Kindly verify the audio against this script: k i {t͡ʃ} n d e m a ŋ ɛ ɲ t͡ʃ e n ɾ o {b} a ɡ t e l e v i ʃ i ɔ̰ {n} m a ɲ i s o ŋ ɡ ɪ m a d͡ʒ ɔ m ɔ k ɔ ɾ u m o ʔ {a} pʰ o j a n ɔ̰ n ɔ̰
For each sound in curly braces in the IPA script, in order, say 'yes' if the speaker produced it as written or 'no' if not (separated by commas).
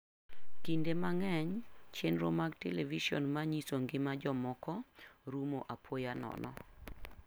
no, no, yes, yes